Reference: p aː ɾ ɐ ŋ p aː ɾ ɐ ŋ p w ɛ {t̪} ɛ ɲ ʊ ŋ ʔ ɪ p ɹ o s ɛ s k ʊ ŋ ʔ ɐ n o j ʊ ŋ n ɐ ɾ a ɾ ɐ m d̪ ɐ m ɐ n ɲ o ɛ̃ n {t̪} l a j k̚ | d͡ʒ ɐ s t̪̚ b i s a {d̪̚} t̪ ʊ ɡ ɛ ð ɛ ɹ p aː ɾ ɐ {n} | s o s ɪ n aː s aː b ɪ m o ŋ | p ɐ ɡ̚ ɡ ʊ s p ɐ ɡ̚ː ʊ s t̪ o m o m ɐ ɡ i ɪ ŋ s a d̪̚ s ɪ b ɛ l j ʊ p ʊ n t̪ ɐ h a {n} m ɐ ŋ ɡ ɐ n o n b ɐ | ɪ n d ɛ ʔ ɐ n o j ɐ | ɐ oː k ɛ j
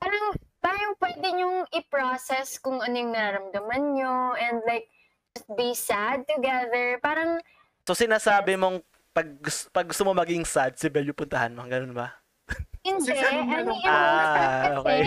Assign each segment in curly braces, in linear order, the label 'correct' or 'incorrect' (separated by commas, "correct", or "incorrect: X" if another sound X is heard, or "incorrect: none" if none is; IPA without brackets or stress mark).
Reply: incorrect: d̪, incorrect: d̪, correct, incorrect: ŋ, correct